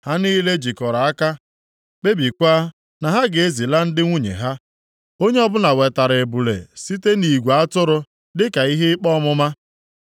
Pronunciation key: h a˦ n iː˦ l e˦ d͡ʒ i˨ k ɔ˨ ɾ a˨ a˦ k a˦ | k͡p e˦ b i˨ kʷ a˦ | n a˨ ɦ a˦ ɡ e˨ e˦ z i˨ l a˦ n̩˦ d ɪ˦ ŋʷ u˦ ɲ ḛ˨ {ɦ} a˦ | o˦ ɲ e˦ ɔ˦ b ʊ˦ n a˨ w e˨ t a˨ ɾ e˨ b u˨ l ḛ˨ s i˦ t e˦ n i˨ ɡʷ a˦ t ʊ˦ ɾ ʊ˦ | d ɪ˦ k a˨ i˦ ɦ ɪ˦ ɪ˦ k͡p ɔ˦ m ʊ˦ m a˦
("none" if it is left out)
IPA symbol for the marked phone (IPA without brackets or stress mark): ɦ